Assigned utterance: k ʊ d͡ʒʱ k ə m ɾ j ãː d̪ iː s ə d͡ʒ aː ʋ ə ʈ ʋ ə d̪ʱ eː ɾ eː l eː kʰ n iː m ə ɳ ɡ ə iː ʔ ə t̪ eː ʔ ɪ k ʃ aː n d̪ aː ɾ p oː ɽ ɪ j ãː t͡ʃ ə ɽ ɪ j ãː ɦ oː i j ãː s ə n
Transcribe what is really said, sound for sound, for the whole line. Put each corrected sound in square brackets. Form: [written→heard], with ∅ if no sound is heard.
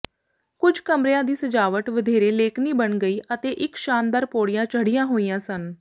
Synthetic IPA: k ʊ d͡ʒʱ k ə m ɾ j ãː d̪ iː s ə d͡ʒ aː ʋ ə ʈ ʋ ə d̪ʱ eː ɾ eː l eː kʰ n iː [m→b] ə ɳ ɡ ə iː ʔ ə t̪ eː ʔ ɪ k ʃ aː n d̪ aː ɾ p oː ɽ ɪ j ãː t͡ʃ ə ɽ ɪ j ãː ɦ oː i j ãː s ə n